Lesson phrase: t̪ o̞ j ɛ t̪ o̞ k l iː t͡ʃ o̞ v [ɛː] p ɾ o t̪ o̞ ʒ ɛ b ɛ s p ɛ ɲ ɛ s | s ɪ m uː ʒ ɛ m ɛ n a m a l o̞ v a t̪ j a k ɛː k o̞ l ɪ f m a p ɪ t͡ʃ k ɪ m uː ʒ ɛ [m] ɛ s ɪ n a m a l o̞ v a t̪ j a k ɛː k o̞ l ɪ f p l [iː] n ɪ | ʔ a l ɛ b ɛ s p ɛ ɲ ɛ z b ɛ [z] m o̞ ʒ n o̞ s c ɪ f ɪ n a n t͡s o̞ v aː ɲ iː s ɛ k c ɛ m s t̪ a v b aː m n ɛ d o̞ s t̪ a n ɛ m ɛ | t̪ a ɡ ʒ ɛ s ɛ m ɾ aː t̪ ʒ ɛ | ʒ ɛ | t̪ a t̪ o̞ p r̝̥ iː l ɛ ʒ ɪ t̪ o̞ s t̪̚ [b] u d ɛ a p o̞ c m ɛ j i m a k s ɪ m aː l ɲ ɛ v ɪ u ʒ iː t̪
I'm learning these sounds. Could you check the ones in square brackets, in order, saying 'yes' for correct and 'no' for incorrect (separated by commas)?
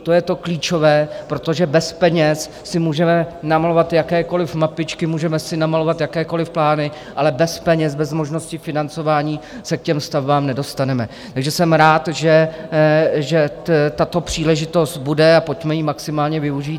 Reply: yes, yes, no, yes, yes